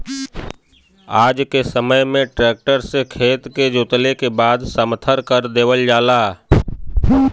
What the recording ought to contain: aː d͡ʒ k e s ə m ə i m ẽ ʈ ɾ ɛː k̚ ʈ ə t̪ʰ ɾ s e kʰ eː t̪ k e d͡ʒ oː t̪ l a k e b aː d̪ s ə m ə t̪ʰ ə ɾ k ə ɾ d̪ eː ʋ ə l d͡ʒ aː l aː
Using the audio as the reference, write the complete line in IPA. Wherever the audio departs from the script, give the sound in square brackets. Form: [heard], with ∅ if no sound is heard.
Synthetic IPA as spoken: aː d͡ʒ k e s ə m ə [j] m ẽ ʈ ɾ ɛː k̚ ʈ ə [∅] ɾ s e kʰ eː t̪ k e d͡ʒ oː t̪ l [e] k e b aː d̪ s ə m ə t̪ʰ ə ɾ k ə ɾ d̪ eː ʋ ə l d͡ʒ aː l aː